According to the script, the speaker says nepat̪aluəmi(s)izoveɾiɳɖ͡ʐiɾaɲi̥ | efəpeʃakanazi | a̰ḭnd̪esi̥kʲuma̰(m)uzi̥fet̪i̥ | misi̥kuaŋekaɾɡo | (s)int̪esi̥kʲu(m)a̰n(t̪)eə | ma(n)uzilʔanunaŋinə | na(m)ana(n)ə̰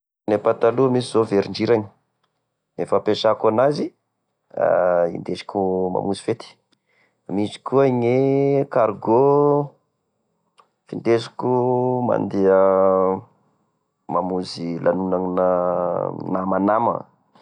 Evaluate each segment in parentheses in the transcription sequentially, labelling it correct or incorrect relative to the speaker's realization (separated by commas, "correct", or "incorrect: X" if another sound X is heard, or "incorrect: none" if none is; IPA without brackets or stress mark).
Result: correct, correct, incorrect: f, correct, incorrect: d̪, incorrect: m, correct, incorrect: m